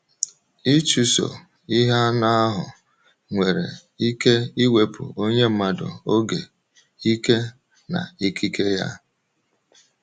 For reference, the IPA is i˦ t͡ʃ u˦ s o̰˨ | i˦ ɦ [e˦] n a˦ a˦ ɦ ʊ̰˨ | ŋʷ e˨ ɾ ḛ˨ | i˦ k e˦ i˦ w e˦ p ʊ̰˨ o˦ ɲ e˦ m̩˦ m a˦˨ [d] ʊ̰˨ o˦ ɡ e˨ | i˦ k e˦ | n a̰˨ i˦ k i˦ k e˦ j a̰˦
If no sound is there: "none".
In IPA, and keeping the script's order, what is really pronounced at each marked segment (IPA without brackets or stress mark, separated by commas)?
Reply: a˦, d